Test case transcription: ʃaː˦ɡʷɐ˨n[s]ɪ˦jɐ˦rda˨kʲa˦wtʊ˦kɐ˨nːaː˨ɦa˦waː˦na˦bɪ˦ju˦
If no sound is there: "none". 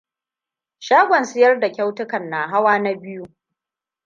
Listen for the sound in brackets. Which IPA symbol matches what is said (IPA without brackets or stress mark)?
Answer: s